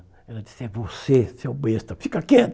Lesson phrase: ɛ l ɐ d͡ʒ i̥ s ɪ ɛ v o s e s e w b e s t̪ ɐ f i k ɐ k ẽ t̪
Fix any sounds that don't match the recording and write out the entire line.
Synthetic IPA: ɛ l ɐ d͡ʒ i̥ s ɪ ɛ v o s e s e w b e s t̪ ɐ f i k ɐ k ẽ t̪